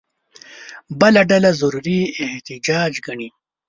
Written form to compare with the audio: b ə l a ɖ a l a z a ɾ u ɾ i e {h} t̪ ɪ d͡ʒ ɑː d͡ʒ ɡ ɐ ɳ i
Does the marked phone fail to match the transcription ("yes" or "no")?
no